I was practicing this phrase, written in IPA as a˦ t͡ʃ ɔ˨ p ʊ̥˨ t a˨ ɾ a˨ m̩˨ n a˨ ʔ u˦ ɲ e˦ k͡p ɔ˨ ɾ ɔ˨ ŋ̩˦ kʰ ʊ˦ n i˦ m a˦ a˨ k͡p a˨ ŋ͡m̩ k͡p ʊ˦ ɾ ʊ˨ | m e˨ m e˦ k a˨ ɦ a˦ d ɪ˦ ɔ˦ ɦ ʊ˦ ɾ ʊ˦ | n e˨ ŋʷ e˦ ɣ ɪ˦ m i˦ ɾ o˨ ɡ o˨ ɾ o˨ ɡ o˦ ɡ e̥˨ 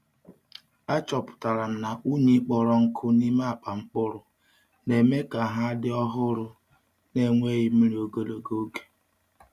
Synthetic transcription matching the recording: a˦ t͡ʃ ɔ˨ p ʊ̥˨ t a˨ ɾ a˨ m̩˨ n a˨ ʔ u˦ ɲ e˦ k͡p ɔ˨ ɾ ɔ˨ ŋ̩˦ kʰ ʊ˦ n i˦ m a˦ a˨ k͡p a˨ ŋ͡m̩ k͡p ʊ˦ ɾ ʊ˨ | n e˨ m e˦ k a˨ ɦ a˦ d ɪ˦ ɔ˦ ɦ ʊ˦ ɾ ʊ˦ | n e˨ ŋʷ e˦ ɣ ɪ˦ m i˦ ɾ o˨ ɡ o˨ l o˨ ɡ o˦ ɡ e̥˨